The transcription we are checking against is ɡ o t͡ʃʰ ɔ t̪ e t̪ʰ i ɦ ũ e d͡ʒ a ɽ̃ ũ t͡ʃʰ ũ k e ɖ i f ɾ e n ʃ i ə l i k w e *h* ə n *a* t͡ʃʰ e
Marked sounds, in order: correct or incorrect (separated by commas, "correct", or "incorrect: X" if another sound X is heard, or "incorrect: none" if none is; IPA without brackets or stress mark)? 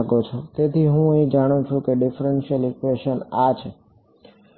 incorrect: ʃ, correct